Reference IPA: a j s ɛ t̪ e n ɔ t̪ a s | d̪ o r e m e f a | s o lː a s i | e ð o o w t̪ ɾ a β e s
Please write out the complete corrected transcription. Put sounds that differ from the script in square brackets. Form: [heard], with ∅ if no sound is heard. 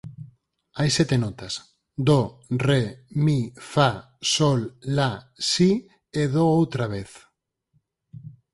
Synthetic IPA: a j s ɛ t̪ e n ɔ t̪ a s | d̪ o r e m [i] f a | s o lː a s i | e ð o o w t̪ ɾ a β e [θ]